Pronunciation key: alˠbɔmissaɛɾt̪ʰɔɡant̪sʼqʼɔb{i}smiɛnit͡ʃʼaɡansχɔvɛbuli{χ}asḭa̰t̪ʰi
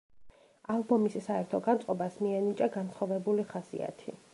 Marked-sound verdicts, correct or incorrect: incorrect, correct

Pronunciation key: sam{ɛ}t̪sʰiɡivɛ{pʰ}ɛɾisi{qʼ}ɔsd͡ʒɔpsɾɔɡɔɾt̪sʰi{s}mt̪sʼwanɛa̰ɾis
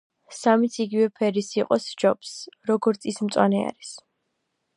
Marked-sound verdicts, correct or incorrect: incorrect, correct, correct, correct

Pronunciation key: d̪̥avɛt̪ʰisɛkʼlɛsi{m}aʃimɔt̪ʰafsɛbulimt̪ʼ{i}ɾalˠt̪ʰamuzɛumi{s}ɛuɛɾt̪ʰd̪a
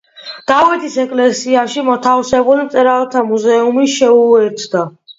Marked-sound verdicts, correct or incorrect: incorrect, incorrect, incorrect

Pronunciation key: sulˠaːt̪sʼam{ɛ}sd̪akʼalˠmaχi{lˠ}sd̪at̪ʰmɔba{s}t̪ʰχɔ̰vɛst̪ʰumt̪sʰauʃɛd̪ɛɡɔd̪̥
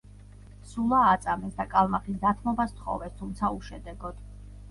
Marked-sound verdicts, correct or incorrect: correct, incorrect, correct

